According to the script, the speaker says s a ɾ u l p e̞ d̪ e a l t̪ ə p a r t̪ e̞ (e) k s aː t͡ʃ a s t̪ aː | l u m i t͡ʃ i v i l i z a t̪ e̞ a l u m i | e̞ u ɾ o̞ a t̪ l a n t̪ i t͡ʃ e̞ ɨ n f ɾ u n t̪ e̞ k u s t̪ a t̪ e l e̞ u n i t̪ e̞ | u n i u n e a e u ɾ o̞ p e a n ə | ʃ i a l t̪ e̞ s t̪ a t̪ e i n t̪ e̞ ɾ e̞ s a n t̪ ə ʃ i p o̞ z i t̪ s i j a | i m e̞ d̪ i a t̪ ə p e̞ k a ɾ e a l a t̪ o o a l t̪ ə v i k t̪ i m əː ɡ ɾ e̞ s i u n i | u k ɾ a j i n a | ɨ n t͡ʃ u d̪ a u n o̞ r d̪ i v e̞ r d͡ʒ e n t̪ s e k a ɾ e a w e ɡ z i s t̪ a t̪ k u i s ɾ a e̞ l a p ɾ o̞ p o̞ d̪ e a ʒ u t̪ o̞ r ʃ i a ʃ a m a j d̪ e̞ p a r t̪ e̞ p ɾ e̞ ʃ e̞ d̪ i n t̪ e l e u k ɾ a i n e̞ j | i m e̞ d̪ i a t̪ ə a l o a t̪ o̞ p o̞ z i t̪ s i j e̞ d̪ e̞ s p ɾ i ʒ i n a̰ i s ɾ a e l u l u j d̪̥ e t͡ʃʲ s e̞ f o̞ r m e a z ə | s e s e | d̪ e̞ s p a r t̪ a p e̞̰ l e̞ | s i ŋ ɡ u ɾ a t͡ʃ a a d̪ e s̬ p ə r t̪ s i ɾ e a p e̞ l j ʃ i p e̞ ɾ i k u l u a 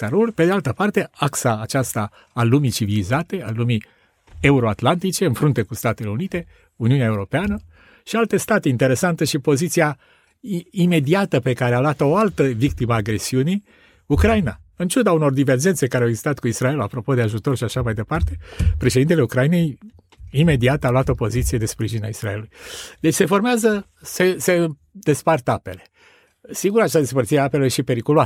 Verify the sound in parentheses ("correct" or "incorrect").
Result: incorrect